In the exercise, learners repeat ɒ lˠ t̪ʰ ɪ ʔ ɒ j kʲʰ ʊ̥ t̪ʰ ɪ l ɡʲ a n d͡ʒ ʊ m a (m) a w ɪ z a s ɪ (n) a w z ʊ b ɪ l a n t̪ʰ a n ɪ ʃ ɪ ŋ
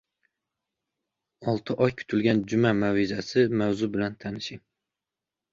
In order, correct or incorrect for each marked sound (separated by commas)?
correct, incorrect